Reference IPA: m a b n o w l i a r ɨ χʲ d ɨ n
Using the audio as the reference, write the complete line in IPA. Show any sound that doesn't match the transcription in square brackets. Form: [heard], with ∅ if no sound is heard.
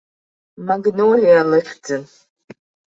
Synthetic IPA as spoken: m a [ɡ] n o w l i a [l] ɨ χʲ [d͡z] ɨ n